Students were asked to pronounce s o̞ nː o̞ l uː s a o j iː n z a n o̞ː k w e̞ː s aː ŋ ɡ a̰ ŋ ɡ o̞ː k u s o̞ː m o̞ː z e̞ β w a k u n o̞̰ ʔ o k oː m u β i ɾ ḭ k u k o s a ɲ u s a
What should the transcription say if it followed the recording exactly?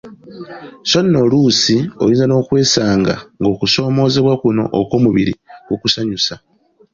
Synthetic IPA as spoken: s o̞ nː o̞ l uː s i o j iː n z a n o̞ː k w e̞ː s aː ŋ ɡ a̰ ŋ ɡ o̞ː k u s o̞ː m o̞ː z e̞ β w a k u n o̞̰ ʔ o k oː m u β i ɾ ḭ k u k u s a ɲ u s a